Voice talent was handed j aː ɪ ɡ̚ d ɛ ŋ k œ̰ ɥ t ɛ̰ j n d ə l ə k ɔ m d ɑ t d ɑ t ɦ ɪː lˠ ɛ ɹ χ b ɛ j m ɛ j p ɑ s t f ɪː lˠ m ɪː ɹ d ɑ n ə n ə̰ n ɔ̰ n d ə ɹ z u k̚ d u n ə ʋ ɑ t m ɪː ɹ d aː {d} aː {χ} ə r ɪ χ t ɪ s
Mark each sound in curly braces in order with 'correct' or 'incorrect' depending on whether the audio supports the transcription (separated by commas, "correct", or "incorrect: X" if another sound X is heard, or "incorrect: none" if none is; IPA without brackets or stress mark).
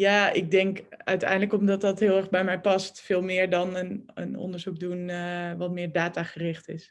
incorrect: t, correct